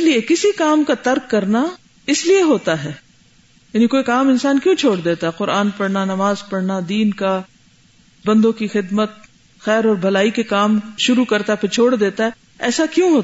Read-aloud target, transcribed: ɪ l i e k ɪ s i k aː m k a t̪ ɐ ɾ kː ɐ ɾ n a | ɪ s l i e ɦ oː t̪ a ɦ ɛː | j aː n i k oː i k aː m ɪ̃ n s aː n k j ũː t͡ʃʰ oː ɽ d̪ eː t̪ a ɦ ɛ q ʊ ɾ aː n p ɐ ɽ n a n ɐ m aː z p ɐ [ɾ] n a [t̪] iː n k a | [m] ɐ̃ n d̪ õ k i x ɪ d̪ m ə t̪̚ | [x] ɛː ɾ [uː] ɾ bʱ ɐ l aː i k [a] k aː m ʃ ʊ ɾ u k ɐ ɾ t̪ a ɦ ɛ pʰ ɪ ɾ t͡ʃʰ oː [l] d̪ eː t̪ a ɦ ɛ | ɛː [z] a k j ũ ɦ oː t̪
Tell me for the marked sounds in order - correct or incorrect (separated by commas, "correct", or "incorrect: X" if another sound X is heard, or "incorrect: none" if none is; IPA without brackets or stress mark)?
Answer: incorrect: ɽ, incorrect: d̪, incorrect: b, correct, incorrect: ɔː, incorrect: e, incorrect: ɽ, incorrect: s